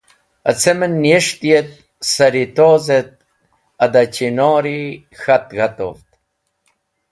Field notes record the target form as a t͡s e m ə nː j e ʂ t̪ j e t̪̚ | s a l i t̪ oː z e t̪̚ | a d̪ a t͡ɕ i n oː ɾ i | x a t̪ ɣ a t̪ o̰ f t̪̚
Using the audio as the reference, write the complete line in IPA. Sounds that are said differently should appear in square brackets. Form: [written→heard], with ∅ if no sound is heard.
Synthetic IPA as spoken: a t͡s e m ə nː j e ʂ t̪ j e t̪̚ | s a [l→ɾ] i t̪ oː z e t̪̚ | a d̪ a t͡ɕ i n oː ɾ i | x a t̪ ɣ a t̪ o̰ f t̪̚